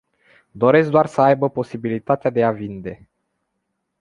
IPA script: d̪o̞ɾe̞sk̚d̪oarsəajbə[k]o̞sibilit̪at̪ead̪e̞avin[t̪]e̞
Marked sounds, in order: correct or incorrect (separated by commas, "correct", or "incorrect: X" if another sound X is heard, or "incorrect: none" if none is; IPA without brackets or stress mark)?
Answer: incorrect: p, incorrect: d̪